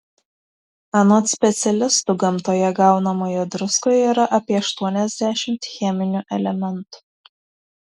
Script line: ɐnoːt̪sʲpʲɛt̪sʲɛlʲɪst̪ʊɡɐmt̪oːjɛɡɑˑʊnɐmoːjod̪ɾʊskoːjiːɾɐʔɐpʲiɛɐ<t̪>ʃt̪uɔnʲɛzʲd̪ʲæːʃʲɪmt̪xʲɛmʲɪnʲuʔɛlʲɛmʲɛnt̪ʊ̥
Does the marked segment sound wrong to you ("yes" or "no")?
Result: yes